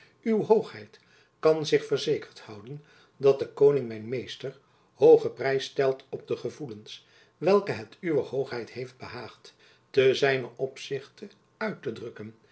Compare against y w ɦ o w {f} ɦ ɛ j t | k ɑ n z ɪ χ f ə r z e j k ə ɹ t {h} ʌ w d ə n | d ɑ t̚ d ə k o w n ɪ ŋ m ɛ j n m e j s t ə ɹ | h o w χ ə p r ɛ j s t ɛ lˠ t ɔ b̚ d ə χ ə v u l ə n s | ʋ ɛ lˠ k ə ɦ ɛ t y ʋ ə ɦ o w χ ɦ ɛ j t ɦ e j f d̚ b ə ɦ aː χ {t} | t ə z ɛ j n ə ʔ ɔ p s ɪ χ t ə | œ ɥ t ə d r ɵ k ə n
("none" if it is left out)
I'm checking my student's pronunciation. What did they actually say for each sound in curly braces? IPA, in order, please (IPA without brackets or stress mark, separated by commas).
χ, h, t